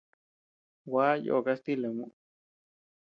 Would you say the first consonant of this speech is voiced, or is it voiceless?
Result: voiced